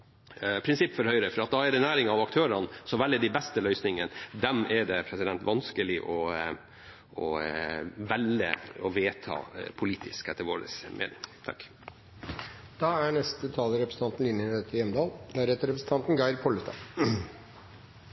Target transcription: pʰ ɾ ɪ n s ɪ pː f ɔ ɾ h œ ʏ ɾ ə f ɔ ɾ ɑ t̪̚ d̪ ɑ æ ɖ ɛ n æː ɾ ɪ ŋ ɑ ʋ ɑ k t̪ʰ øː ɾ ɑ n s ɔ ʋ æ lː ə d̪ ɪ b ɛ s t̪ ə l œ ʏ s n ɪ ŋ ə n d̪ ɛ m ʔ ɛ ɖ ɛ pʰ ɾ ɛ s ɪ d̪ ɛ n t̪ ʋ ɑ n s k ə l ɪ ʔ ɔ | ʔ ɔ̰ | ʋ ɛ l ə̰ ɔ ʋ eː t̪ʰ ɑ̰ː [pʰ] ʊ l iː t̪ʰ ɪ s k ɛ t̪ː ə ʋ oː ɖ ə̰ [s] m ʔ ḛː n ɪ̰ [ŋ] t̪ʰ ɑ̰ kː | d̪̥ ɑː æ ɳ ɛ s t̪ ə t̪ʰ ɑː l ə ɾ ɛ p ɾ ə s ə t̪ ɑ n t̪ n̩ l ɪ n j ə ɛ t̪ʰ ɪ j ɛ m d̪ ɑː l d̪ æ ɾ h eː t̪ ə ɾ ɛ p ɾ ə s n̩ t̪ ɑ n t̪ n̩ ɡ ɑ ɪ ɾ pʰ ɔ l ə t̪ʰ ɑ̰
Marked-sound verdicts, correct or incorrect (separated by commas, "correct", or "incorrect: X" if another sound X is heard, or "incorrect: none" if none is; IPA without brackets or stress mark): correct, correct, correct